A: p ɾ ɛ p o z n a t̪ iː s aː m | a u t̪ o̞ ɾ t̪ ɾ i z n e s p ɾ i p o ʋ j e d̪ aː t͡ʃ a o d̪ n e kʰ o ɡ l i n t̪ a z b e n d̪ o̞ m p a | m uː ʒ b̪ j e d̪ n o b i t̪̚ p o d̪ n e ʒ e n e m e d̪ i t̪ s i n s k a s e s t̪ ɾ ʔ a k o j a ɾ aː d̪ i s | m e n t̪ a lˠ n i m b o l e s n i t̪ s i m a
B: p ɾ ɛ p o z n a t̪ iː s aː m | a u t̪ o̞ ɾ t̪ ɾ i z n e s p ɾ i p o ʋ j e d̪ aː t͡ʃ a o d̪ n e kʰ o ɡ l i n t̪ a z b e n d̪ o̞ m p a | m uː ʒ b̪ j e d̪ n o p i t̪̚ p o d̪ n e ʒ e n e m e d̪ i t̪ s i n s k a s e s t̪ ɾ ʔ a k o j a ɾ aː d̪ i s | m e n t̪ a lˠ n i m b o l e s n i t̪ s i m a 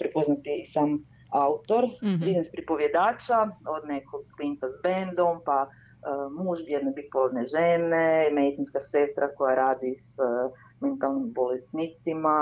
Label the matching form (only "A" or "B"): A